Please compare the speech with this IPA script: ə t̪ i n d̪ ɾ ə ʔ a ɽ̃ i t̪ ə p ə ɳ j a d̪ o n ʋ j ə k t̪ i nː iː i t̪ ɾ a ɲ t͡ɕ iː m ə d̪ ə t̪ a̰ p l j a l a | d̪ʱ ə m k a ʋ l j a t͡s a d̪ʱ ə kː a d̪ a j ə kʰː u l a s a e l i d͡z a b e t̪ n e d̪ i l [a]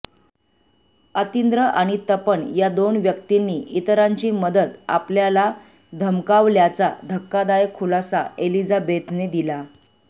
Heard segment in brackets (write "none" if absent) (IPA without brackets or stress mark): a